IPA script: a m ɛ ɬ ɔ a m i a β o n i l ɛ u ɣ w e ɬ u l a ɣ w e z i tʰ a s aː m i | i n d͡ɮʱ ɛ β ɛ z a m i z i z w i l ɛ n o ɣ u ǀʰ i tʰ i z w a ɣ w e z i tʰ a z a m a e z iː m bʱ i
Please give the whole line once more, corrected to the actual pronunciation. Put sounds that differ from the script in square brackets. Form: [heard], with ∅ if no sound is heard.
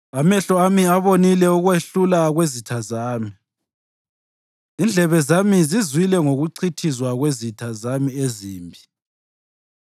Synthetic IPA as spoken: a m ɛ ɬ ɔ a m i a β o n i l ɛ u ɣ w e ɬ u l a ɣ w e z i tʰ a [z] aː m i | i n d͡ɮʱ ɛ β ɛ z a m i z i z w i l ɛ [ŋ] o ɣ u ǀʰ i tʰ i z w a ɣ w e z i tʰ a z a m [i] e z iː m bʱ i